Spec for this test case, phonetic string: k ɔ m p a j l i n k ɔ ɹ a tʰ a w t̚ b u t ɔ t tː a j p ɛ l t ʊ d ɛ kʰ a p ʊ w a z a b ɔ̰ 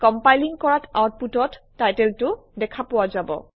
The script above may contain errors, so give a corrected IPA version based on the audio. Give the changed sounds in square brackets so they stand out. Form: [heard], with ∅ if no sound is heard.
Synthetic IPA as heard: k ɔ m p a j l i [ŋ] k ɔ ɹ a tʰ a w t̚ [p] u t ɔ t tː a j [t] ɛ l t ʊ d ɛ kʰ a p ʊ w a z a b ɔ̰